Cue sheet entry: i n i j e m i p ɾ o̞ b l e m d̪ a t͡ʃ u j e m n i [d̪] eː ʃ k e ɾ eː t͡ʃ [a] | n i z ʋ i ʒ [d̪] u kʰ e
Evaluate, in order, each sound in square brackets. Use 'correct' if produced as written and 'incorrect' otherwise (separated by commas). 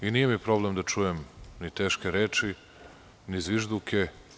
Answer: incorrect, incorrect, correct